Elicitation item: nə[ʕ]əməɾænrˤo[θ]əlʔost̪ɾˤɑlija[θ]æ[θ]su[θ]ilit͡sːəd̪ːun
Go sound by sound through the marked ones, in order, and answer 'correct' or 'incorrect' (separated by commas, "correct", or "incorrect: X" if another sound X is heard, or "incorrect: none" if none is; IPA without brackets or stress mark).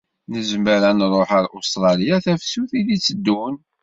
incorrect: z, incorrect: ħ, correct, incorrect: f, correct